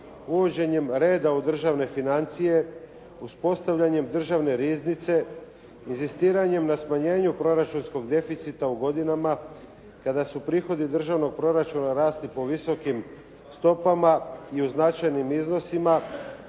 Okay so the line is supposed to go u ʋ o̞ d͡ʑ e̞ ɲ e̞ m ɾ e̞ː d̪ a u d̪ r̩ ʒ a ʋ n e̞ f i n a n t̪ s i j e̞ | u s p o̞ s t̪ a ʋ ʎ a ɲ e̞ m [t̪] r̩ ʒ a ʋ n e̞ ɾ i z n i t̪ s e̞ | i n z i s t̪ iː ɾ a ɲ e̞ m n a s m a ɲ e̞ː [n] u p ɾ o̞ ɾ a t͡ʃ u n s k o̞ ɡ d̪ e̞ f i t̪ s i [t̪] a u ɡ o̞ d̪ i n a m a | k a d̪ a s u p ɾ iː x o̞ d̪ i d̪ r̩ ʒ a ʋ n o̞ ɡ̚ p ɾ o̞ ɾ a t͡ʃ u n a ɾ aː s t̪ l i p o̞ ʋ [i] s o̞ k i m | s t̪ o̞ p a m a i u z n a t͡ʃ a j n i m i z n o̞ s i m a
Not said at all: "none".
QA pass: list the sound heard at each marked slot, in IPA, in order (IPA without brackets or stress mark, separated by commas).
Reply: d̪, ɲ, t̪, i